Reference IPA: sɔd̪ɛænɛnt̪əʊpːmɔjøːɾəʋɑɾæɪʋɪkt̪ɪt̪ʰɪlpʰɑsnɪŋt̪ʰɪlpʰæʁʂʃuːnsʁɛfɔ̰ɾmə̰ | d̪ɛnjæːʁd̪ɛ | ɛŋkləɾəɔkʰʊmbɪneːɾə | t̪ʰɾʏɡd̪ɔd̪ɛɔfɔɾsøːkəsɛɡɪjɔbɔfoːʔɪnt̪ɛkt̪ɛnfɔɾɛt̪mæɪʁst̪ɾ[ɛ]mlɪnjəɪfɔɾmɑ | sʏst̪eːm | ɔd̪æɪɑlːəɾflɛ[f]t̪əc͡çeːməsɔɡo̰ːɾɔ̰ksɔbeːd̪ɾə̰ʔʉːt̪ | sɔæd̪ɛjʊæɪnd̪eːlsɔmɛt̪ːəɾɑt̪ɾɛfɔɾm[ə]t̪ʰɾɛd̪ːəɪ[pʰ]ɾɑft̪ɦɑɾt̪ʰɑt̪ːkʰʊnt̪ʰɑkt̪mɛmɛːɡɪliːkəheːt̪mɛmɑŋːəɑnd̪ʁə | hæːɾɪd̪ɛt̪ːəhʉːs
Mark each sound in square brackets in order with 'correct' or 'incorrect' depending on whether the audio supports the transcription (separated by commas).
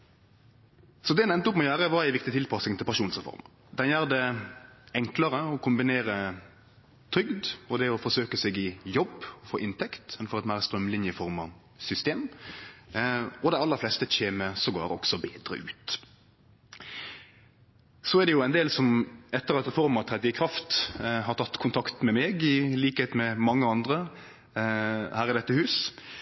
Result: incorrect, incorrect, incorrect, incorrect